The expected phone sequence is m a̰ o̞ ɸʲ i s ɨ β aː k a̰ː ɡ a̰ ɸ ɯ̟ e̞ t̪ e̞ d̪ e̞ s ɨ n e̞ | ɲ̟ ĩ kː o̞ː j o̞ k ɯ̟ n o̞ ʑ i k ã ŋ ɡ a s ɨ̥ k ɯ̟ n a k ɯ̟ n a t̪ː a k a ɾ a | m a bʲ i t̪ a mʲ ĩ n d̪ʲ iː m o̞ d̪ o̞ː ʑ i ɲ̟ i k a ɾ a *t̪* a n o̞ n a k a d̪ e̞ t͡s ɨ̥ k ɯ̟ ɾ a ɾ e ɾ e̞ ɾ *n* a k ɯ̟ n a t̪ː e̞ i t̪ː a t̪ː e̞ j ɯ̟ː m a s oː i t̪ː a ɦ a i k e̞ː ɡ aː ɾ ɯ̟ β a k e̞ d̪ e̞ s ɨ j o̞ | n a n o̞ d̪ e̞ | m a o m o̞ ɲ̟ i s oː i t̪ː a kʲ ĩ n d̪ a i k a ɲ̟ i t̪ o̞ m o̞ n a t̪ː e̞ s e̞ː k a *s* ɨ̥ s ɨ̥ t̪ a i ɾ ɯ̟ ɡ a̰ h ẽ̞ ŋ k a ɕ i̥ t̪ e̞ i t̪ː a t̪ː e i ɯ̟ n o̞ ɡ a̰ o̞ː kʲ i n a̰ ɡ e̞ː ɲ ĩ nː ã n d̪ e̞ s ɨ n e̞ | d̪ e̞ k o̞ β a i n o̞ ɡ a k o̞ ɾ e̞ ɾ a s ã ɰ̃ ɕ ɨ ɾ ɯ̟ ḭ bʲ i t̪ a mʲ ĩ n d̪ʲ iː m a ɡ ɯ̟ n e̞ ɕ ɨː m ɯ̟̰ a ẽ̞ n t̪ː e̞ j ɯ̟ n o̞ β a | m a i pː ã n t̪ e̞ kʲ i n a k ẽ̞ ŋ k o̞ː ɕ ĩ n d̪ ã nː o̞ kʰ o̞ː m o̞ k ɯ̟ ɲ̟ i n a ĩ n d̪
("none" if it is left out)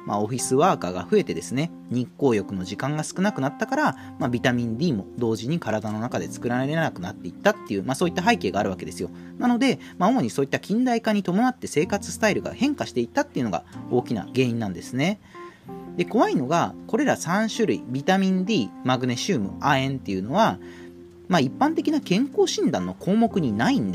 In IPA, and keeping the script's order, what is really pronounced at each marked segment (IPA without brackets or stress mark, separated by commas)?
d̪, n, t͡s